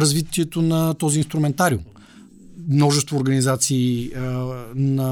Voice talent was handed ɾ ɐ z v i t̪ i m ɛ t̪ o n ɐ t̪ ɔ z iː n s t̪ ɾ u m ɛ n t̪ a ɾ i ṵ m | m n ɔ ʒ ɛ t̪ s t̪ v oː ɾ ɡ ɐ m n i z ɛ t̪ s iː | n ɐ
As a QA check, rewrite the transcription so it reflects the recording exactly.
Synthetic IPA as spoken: ɾ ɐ z v i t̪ i ɛ t̪ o n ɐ t̪ ɔ z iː n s t̪ ɾ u m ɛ n t̪ a ɾ i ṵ m | m n ɔ ʒ ɛ s t̪ v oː ɾ ɡ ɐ n i z a t̪ s iː | n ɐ